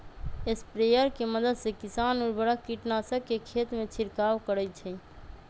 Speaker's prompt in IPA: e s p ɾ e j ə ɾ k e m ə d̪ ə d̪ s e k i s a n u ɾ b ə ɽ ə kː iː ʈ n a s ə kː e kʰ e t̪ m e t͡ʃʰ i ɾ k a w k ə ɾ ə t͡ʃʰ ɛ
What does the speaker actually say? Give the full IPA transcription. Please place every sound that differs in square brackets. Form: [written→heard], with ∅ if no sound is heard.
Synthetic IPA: e s p ɾ e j ə ɾ k e m ə d̪ ə d̪ s e k i s a n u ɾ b ə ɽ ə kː [iː→i] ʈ n a s ə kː e kʰ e t̪ m e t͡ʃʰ i ɾ k a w k ə ɾ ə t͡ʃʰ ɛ

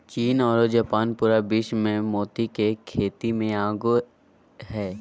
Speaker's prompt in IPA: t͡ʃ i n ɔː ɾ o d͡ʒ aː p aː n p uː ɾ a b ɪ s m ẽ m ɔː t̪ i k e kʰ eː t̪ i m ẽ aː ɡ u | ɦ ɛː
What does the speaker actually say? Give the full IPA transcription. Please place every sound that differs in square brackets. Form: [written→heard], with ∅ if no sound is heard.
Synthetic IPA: t͡ʃ [i→iː] n ɔː ɾ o d͡ʒ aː p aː n p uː ɾ a b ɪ [s→ʃ] m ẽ m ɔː t̪ i k e kʰ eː t̪ i m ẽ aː ɡ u | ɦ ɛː

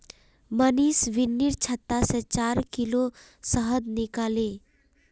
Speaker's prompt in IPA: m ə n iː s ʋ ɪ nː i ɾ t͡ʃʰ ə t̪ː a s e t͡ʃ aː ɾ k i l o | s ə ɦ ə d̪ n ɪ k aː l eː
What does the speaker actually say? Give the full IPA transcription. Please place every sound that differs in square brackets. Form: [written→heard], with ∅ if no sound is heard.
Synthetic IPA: m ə n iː s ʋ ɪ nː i ɾ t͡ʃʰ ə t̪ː a s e t͡ʃ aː ɾ k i l o | s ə ɦ ə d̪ n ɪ k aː l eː

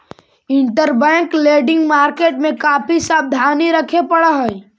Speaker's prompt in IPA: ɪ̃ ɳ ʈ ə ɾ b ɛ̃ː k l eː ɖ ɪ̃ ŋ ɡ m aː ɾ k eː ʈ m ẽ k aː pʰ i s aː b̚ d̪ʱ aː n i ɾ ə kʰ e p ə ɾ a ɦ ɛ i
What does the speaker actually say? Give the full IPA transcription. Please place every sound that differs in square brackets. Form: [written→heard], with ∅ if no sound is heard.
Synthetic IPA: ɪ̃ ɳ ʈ ə ɾ b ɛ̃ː k l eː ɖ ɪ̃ ŋ ɡ m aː ɾ k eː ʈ m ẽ k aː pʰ i s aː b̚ d̪ʱ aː n i ɾ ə kʰ e p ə [ɾ→ɽ] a ɦ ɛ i

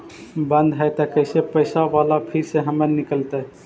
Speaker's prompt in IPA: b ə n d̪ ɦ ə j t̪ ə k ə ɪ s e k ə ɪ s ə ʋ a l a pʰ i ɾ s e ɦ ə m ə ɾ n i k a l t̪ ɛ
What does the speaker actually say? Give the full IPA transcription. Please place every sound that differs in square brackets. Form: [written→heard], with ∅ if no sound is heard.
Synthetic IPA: b ə n d̪ ɦ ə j t̪ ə k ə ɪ s e [k→p] ə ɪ s [ə→a] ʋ a l a pʰ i ɾ s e ɦ ə m ə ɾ n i k [a→ə] l t̪ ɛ

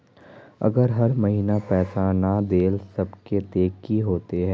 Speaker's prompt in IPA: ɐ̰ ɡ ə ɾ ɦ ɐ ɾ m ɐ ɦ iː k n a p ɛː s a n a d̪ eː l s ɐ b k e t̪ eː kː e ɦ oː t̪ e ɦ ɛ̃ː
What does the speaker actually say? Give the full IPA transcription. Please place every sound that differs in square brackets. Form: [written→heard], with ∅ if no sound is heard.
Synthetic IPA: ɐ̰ ɡ ə ɾ ɦ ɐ ɾ m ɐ ɦ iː [k→∅] n a p ɛː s a n a d̪ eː l s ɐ b k e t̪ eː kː [e→i] ɦ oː t̪ e ɦ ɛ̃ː

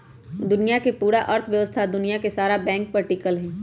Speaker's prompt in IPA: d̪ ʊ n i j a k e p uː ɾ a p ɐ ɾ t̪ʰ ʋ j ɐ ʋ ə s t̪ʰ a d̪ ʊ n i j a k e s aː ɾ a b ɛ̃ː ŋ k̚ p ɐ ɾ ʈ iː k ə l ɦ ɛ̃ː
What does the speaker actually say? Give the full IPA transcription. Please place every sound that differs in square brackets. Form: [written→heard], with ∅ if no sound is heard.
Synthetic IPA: d̪ ʊ n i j a k e p uː ɾ a [p→ʔ] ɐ ɾ t̪ʰ ʋ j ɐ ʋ ə s t̪ʰ a d̪ ʊ n i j a k e s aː ɾ a b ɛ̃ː ŋ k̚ p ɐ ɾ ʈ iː k ə l ɦ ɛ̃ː

